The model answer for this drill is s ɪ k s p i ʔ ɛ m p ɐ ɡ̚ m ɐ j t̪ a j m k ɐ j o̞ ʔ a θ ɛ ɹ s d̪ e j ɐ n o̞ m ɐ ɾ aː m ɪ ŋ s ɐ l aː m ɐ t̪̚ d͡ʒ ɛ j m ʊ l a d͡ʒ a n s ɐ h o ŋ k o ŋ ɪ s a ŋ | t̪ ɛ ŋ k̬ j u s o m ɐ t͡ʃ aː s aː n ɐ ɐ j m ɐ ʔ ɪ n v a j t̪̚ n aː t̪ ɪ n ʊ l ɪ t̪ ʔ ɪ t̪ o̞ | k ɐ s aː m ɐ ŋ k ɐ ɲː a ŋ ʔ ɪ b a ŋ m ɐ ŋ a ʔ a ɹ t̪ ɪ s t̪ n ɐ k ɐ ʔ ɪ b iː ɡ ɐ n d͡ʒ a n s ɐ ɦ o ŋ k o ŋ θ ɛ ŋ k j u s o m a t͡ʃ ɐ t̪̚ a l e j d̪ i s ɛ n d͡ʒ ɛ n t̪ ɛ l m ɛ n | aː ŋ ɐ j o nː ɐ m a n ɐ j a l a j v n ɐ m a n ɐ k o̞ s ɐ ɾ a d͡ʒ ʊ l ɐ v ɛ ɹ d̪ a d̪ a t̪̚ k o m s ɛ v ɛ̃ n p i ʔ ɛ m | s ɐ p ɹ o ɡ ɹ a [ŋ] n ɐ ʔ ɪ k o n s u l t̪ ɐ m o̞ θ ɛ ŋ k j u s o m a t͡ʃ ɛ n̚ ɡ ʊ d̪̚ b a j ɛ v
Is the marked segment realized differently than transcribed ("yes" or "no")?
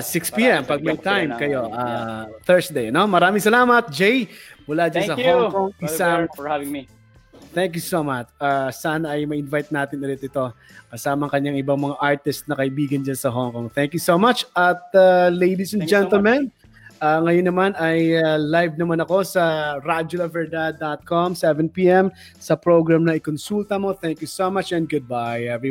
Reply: yes